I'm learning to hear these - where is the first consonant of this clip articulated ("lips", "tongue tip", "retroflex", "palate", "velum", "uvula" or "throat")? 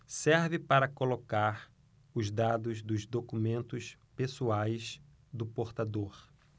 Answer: tongue tip